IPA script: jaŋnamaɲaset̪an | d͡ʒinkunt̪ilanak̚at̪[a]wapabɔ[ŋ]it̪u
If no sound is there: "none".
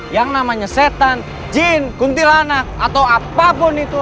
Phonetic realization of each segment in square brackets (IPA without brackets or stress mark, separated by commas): a, n